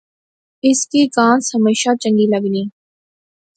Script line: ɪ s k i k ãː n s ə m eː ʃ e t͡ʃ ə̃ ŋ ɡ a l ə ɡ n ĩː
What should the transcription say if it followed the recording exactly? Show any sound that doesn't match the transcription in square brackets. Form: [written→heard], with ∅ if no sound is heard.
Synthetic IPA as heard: ɪ s k i k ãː n s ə m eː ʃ [e→a] t͡ʃ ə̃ ŋ ɡ [a→i] l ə ɡ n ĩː